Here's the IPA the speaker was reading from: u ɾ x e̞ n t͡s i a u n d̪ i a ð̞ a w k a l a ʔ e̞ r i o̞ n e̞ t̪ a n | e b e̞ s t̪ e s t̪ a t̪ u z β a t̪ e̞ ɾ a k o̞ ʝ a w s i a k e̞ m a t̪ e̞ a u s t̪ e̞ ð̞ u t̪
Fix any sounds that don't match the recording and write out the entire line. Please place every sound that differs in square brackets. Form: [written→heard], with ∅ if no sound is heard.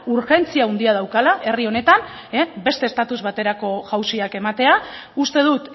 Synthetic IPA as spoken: u ɾ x e̞ n t͡s i a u n d̪ i a ð̞ a w k a l a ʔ e̞ r i o̞ n e̞ t̪ a n | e b e̞ s t̪ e s t̪ a t̪ u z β a t̪ e̞ ɾ a k o̞ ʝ a w s i a k e̞ m a t̪ e̞ a u s t̪ e̞ ð̞ u t̪